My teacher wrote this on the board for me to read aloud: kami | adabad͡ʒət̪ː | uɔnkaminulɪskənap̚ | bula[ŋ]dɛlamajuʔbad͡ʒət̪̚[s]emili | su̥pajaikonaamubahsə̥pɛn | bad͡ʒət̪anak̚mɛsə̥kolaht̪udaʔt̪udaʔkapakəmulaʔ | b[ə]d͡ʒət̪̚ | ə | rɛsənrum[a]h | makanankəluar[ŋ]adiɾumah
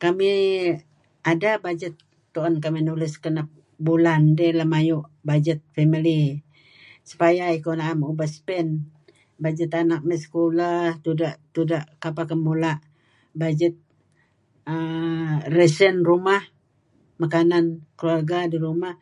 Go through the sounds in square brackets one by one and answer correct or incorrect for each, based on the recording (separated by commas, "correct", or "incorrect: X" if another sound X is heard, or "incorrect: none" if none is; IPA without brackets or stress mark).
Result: incorrect: n, incorrect: f, incorrect: a, correct, incorrect: ɡ